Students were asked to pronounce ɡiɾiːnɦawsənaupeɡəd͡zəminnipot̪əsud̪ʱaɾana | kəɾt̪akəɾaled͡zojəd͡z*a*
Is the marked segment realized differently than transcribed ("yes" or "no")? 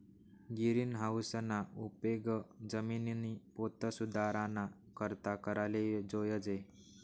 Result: yes